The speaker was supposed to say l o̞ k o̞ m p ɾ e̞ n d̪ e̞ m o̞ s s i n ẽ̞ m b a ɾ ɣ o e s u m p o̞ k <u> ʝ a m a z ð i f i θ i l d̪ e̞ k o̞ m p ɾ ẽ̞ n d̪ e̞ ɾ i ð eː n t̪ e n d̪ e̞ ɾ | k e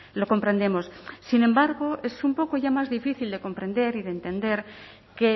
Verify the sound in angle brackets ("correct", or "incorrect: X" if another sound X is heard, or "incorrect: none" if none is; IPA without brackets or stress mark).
incorrect: o